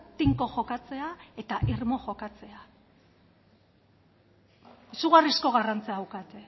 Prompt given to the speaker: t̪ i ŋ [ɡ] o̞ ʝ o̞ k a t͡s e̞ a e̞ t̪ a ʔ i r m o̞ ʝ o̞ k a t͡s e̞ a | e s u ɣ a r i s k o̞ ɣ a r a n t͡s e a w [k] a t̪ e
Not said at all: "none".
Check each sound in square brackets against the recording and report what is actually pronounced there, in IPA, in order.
k, k

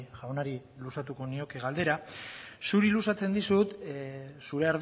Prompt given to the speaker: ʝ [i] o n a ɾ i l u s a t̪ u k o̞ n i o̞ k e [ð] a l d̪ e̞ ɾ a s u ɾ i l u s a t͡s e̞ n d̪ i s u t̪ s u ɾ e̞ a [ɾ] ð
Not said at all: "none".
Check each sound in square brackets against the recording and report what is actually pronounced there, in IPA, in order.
a, ɣ, ɾ

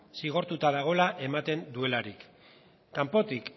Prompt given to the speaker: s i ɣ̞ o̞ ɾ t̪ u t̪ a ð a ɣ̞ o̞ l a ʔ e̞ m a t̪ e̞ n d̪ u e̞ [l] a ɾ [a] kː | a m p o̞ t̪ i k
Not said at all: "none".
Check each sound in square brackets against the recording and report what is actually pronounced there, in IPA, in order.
l, i

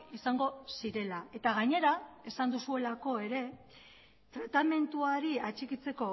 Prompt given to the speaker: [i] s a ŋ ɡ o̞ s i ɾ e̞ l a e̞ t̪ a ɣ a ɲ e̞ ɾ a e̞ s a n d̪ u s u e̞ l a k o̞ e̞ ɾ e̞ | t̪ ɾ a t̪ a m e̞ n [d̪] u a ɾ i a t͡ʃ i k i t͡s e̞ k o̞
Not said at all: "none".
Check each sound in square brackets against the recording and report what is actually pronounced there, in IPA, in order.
i, t̪

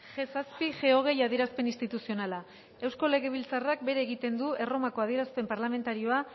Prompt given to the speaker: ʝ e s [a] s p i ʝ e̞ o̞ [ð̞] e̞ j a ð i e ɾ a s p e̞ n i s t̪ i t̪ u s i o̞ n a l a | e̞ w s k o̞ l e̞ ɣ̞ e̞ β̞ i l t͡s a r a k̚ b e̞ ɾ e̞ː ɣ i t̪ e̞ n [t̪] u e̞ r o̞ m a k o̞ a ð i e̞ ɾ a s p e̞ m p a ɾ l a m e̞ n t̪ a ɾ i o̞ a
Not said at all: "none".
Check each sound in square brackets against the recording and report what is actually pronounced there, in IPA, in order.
a, ɣ̞, d̪

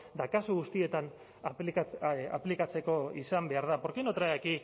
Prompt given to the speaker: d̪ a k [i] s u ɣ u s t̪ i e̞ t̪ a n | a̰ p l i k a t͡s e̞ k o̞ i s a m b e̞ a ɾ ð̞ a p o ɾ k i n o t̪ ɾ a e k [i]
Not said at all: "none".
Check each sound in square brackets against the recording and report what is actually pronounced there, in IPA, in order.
a, i

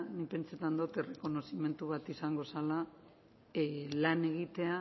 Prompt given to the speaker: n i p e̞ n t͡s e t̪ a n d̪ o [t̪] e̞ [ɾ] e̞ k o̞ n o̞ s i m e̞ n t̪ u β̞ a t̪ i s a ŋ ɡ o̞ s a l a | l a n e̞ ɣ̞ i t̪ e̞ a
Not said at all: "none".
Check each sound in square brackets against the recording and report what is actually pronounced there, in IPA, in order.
t̪, r

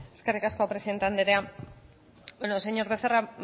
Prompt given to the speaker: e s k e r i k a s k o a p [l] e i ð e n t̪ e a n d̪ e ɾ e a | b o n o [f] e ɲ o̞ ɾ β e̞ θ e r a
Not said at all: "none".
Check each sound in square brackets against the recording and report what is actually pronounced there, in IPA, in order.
ɾ, s

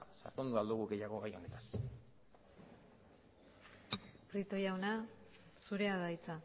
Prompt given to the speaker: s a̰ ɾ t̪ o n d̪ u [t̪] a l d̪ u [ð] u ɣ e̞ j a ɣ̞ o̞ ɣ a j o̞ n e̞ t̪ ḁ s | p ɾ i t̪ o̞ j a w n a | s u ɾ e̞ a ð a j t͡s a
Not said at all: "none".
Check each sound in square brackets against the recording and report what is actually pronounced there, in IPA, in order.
none, ɣ

